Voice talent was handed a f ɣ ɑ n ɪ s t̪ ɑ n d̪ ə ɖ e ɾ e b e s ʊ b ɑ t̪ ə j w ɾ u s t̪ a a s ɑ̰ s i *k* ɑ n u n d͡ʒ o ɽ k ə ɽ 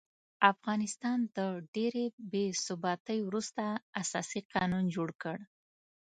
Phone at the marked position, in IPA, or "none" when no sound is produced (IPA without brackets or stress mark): q